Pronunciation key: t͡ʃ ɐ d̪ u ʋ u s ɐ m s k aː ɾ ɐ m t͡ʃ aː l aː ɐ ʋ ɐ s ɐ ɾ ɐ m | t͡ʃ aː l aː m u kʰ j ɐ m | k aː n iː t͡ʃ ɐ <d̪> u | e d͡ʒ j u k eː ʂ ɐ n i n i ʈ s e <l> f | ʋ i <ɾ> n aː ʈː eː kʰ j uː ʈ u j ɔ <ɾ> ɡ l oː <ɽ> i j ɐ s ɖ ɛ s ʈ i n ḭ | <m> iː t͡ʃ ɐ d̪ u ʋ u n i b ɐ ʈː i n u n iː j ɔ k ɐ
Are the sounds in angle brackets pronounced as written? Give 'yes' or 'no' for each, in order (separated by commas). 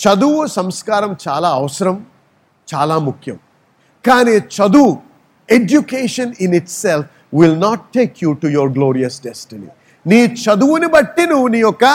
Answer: yes, yes, no, yes, no, no